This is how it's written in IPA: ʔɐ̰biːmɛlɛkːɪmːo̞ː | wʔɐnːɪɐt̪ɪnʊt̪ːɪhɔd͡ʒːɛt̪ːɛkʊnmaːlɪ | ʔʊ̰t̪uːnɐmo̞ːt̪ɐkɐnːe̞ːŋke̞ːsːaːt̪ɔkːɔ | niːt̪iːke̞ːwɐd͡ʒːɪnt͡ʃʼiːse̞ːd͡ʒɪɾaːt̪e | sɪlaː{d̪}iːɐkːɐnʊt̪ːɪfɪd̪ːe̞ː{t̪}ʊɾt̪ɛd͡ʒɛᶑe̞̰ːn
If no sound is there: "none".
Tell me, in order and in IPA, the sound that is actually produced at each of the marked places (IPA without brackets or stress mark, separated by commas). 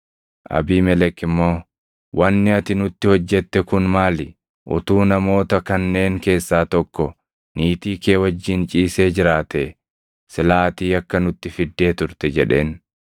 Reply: t̪, t̪